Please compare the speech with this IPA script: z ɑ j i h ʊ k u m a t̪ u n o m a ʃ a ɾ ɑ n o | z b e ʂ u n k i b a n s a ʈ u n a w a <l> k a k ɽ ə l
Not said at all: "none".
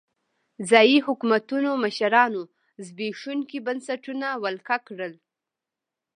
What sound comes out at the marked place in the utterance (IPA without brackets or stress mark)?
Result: l